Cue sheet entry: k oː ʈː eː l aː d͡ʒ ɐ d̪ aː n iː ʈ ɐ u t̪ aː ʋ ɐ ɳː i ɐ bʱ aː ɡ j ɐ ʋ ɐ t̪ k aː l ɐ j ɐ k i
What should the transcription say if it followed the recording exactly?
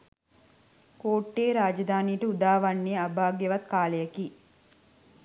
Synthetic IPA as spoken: k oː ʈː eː ɾ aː d͡ʒ ɐ d̪ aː n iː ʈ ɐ u d̪ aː ʋ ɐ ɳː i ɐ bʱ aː ɡ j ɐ ʋ ɐ t̪ k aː l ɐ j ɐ k i